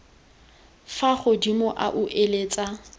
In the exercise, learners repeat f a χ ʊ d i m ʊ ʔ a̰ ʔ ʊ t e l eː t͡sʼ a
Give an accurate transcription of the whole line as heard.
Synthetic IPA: f a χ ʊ d i m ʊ ʔ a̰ ʔ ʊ ʔ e l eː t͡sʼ a